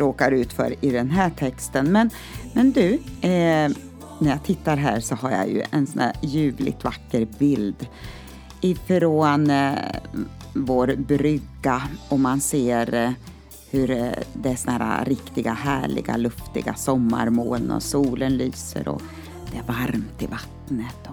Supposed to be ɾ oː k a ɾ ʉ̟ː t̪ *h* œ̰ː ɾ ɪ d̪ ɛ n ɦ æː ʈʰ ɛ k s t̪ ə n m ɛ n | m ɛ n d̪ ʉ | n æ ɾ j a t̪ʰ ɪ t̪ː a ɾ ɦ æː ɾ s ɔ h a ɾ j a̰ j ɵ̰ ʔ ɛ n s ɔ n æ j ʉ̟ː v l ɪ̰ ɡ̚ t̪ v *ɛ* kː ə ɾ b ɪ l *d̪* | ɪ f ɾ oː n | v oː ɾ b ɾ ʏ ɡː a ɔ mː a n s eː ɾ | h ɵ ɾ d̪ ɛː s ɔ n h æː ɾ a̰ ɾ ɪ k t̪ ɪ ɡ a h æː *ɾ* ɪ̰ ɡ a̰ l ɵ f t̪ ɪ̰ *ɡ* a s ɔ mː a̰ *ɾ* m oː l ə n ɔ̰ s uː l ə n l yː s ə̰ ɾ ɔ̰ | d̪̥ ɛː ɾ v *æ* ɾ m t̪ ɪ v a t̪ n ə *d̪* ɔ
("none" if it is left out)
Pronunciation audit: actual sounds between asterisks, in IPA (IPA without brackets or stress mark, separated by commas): f, a, d̪, ɭ, ɡ, ɾ, a, t̪